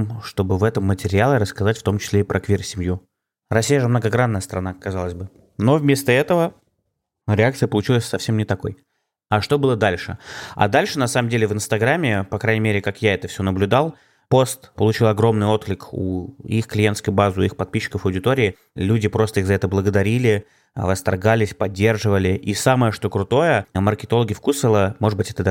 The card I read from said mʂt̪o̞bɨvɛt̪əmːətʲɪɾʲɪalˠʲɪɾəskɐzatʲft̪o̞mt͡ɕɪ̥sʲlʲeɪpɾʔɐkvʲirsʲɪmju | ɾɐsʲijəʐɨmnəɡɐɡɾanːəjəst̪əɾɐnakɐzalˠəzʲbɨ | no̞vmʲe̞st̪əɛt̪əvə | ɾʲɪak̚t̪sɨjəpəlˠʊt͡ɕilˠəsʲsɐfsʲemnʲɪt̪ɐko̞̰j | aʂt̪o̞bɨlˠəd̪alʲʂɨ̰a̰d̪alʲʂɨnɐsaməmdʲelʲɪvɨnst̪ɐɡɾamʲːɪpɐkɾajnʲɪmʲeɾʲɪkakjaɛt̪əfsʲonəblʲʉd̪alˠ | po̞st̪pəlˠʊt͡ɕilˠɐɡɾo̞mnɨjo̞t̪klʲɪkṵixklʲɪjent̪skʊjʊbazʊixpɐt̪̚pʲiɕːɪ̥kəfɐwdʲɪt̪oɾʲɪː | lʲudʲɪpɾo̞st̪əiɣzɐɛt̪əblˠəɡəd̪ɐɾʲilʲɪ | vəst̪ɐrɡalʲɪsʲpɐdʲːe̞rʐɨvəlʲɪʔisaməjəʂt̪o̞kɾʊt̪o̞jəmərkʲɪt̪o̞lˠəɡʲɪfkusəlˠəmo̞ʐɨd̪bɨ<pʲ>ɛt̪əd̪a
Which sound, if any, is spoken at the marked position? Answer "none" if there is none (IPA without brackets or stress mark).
tʲ